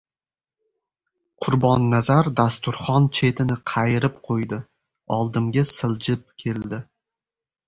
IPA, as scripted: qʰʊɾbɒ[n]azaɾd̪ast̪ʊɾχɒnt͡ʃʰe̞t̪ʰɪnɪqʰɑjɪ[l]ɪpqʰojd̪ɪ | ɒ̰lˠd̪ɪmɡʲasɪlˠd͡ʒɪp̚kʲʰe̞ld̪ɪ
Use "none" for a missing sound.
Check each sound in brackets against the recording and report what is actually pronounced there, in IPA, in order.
nː, ɾ

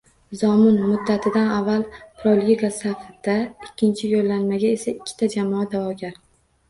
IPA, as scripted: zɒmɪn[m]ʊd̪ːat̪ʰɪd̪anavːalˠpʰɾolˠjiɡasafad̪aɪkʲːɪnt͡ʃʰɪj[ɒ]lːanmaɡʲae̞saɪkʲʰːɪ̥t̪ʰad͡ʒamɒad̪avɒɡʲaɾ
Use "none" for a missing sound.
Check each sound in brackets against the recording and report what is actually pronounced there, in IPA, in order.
m, o

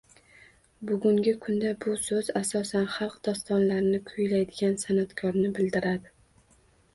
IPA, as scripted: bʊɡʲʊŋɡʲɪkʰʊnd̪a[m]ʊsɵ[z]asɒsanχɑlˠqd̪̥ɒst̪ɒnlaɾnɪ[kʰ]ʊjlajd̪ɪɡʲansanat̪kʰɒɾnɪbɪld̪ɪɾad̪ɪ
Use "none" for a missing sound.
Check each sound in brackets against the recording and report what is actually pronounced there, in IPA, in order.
b, z, kʰ

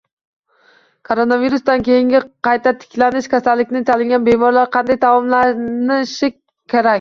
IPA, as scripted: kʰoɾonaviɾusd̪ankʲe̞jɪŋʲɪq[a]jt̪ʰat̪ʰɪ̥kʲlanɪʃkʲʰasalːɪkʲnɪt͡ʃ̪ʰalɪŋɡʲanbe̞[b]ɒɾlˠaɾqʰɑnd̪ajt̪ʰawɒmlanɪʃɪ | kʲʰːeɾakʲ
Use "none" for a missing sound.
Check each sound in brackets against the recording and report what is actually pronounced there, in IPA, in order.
ɑ, m

